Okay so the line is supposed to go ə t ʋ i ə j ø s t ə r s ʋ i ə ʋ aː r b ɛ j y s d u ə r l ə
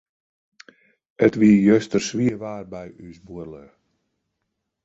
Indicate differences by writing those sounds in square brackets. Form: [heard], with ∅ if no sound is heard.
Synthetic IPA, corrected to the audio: ə t ʋ i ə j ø s t ə r s ʋ i ə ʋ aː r b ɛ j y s [b] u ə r l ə